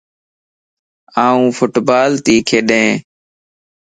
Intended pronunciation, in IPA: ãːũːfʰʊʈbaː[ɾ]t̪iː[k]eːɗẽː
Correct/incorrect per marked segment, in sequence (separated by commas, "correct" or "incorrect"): incorrect, incorrect